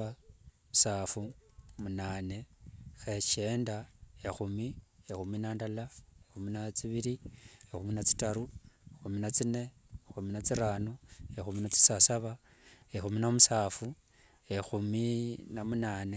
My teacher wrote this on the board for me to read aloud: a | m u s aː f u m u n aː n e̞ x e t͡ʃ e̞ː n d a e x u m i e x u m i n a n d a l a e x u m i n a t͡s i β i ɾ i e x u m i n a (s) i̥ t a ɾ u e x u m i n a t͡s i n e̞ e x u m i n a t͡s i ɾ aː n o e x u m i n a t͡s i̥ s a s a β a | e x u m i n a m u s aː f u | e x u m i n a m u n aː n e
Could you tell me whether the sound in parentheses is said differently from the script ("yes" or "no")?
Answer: yes